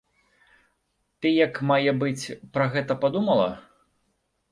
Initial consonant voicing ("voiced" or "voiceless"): voiceless